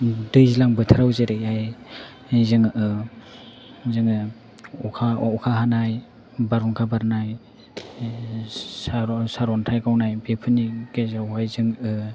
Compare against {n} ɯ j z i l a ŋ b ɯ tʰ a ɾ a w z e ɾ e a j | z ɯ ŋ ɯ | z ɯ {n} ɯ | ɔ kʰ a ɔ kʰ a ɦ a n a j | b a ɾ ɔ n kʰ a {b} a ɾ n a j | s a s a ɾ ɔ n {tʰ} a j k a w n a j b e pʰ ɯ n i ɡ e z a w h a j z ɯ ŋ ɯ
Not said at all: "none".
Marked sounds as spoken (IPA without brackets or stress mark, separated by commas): d, ŋ, b, tʰ